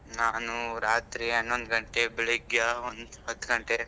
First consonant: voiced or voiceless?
voiced